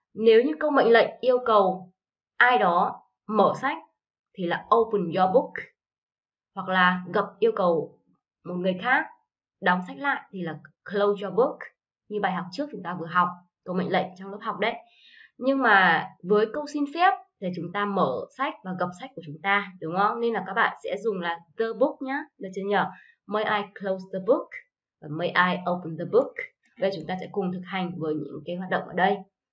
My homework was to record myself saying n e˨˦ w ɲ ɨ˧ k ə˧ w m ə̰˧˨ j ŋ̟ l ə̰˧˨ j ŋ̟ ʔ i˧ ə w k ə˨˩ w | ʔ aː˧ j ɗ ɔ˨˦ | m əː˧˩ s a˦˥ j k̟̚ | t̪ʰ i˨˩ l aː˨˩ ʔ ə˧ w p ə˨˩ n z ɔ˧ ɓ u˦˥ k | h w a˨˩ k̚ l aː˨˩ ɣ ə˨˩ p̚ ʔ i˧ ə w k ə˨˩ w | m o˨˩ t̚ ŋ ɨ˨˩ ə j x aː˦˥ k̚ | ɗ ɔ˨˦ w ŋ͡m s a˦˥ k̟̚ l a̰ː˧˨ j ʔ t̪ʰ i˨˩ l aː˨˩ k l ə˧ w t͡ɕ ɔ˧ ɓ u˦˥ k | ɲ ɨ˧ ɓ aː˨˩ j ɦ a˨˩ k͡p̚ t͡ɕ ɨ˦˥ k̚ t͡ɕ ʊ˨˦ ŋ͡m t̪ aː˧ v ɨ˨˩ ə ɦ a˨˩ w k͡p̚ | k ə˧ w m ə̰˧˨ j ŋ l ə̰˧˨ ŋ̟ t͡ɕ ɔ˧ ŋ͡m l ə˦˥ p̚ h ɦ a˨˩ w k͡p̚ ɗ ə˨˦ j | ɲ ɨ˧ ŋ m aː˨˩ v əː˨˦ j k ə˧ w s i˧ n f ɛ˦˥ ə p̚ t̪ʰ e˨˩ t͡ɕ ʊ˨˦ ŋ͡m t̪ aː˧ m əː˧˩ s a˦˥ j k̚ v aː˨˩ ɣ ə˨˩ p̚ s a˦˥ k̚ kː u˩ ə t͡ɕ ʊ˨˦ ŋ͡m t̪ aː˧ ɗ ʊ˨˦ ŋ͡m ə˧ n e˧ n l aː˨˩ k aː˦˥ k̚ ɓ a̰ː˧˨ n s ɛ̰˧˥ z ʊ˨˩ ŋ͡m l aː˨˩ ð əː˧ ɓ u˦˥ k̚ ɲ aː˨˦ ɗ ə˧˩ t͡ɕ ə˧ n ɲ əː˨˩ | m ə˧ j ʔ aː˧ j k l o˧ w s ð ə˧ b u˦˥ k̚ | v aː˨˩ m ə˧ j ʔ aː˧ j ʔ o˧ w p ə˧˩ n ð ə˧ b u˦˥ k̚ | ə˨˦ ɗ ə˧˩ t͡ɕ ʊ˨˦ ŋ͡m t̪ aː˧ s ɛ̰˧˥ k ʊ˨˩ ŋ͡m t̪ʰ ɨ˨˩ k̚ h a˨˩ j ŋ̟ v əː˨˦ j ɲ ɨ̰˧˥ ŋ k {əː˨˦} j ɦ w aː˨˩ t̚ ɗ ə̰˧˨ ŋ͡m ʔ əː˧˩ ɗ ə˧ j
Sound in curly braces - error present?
yes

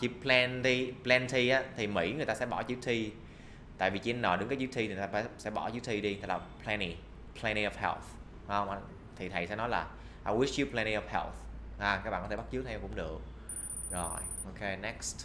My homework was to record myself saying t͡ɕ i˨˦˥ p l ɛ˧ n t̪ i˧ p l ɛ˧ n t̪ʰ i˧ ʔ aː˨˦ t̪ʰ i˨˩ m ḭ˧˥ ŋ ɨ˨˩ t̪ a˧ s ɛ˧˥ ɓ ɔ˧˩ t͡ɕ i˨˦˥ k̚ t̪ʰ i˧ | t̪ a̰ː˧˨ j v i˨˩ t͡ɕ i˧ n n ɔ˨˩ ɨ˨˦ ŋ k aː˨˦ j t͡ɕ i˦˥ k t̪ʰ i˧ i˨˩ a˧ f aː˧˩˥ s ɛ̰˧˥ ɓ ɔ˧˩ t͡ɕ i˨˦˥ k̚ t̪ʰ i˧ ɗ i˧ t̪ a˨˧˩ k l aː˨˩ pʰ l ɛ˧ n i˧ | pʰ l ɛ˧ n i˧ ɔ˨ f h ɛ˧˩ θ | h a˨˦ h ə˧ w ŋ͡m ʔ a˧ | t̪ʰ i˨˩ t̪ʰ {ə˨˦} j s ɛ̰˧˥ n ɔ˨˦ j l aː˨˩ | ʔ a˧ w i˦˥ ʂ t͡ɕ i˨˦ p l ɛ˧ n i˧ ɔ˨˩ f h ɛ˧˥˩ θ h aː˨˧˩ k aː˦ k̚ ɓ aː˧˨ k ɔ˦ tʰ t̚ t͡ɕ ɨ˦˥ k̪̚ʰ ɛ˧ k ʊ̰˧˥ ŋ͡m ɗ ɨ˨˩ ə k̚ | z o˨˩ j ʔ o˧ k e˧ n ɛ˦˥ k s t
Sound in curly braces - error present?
yes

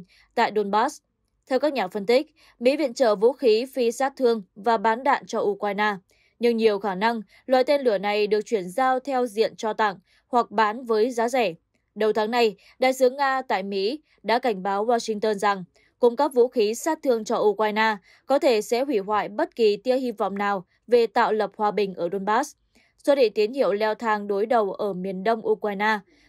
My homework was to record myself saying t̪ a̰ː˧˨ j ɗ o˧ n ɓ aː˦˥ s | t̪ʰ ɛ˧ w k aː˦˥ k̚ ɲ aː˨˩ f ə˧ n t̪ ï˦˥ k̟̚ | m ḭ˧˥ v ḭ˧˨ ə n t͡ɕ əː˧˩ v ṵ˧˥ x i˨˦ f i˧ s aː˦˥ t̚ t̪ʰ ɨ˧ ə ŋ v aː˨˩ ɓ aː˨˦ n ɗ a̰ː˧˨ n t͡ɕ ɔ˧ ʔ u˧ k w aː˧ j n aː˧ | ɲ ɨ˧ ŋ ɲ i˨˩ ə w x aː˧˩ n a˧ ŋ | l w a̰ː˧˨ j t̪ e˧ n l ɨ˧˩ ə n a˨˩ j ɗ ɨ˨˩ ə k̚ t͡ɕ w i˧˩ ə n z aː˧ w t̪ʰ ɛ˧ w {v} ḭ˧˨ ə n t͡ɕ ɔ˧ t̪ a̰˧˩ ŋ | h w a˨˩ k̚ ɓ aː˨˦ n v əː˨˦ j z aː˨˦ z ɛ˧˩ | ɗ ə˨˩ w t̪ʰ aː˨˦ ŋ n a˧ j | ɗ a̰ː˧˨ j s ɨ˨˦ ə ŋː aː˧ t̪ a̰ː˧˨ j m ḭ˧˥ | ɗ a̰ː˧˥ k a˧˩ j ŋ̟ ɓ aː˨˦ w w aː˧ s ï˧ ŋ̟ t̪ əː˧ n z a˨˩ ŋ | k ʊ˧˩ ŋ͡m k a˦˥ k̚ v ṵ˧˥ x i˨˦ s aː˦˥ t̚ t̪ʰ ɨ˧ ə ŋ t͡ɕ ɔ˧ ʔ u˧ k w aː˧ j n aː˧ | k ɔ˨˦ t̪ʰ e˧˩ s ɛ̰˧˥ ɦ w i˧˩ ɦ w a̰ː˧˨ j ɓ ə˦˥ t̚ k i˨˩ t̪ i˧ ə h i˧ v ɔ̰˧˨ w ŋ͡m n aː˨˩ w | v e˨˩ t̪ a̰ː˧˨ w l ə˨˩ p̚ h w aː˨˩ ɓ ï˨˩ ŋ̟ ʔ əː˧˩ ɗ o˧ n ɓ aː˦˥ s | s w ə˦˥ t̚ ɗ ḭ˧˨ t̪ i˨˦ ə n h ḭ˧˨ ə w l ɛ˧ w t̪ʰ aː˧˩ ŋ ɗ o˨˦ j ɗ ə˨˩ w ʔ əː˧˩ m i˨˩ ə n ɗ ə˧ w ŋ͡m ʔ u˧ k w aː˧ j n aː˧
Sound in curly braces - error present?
yes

